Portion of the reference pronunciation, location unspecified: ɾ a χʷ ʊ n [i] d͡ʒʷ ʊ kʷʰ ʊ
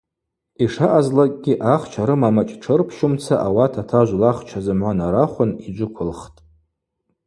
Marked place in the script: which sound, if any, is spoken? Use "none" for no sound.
i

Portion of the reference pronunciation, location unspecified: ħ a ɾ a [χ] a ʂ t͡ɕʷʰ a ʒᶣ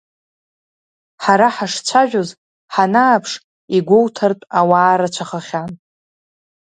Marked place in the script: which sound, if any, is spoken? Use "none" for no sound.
ħ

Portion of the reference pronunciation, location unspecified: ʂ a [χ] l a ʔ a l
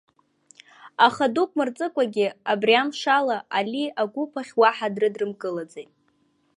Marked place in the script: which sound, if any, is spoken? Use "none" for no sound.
none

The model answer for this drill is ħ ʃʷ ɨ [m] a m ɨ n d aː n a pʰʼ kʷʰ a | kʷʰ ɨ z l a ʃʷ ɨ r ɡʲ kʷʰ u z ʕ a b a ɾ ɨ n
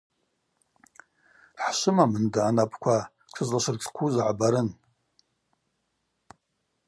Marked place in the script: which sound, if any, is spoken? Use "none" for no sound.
m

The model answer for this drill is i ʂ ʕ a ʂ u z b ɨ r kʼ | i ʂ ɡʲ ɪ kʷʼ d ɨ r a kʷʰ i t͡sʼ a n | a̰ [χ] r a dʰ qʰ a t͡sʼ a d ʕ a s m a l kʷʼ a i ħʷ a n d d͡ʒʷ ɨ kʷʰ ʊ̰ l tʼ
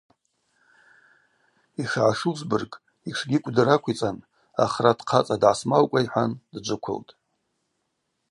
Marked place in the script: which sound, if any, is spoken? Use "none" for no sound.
χ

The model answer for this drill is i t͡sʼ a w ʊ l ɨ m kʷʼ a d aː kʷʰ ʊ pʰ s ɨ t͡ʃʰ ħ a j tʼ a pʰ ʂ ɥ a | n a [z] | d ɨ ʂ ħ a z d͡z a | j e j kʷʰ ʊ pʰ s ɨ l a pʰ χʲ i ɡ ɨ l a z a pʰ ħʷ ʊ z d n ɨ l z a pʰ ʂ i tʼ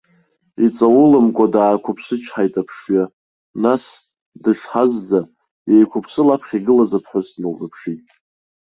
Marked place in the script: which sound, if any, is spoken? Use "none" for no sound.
s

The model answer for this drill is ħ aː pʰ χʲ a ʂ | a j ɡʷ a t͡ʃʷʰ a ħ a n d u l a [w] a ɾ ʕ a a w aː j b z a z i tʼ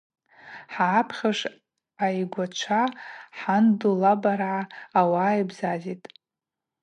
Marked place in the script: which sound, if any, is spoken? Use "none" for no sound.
b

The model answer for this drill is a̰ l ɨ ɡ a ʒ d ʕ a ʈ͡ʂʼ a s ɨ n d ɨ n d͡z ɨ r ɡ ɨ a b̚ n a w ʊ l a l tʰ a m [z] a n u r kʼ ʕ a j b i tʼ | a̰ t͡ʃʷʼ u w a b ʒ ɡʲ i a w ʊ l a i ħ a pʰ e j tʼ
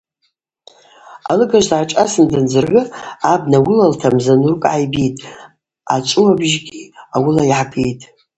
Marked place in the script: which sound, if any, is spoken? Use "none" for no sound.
z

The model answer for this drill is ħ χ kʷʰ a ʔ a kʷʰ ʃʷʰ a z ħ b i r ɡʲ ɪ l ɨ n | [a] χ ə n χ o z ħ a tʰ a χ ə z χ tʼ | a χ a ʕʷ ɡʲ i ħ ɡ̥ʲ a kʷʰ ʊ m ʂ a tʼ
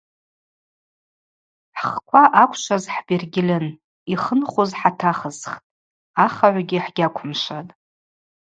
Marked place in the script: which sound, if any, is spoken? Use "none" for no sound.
i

